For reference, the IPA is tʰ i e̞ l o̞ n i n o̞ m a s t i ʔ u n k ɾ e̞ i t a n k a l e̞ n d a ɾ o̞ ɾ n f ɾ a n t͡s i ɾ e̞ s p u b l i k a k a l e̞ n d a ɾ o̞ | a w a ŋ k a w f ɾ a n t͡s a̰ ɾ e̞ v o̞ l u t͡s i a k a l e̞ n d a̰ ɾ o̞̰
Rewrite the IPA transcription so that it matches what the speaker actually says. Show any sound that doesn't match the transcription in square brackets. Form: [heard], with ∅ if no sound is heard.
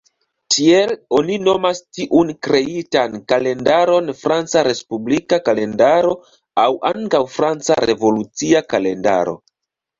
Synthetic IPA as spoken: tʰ i e̞ l o̞ n i n o̞ m a s t i ʔ u n k ɾ e̞ i t a n k a l e̞ n d a ɾ o̞ [∅] n f ɾ a n t͡s [a] ɾ e̞ s p u b l i k a k a l e̞ n d a ɾ o̞ | a w a ŋ k a w f ɾ a n t͡s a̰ ɾ e̞ v o̞ l u t͡s i a k a l e̞ n d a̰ ɾ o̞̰